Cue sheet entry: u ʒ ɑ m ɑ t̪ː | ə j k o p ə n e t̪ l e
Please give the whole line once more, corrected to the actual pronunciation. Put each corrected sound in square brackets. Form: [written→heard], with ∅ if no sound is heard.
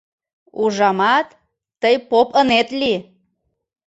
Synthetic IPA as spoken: u ʒ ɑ m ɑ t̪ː | ə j [k→p] o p ə n e t̪ l [e→i]